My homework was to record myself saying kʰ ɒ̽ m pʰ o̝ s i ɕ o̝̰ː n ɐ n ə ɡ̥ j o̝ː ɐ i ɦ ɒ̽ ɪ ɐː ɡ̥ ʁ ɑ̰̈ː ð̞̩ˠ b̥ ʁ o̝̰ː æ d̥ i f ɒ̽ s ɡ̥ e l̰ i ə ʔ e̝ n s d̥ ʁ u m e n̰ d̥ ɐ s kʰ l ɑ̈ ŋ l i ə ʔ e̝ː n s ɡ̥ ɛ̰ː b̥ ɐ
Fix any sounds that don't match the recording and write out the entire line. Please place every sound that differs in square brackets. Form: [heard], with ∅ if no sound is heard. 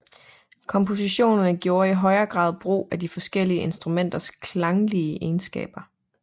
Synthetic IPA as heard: kʰ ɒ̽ m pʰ o̝ s i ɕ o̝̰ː n ɐ n ə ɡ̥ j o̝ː ɐ i ɦ ɒ̽ ɪ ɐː ɡ̥ ʁ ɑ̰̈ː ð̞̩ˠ b̥ ʁ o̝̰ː æ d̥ i f ɒ̽ s ɡ̥ e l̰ i ə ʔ e̝ n s d̥ ʁ u m e n̰ d̥ ɐ s kʰ l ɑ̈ ŋ l i ə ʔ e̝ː n s ɡ̥ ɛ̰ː b̥ ɐ